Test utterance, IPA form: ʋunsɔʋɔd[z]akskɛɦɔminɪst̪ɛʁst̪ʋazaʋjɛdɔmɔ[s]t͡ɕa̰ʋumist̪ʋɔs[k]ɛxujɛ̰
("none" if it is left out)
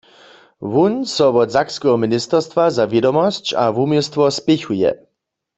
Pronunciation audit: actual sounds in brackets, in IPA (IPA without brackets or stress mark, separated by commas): z, s, p